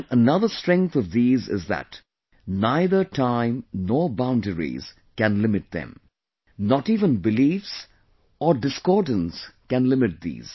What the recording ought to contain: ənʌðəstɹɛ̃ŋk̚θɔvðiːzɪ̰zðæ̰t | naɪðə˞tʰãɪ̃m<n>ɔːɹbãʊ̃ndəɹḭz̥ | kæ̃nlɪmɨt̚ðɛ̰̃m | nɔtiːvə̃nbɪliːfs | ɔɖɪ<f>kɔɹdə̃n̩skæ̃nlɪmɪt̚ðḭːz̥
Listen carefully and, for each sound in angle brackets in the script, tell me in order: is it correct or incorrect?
correct, incorrect: s

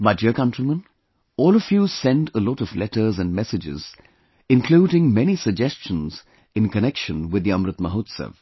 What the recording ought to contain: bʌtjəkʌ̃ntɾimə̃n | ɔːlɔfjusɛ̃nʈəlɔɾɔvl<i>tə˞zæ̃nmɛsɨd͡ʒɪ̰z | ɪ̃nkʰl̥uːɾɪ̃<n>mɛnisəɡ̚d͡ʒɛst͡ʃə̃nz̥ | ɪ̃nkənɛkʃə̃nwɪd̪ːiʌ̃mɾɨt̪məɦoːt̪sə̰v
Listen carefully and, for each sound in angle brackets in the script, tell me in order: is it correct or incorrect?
incorrect: ɛ, incorrect: ŋ

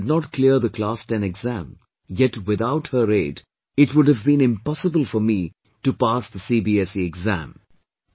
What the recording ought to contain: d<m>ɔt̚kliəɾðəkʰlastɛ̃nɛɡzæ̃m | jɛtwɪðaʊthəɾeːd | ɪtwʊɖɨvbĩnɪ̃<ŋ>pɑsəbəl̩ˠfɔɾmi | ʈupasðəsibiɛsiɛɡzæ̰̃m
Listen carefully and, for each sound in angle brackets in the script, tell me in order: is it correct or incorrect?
incorrect: n, incorrect: m

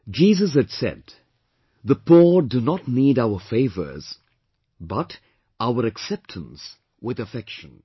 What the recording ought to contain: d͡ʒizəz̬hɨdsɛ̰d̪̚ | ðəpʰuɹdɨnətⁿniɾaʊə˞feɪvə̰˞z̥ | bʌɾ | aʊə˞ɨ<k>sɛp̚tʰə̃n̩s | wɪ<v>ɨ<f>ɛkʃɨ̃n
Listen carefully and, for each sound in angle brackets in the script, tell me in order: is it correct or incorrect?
correct, incorrect: ð, correct

